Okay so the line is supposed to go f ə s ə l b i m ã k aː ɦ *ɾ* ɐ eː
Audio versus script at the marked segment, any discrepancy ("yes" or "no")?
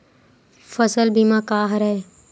no